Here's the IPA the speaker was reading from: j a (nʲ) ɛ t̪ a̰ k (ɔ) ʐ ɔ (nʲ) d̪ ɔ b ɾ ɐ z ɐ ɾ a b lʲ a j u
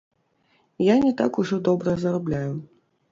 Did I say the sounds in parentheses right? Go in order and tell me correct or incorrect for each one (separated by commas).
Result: correct, incorrect, incorrect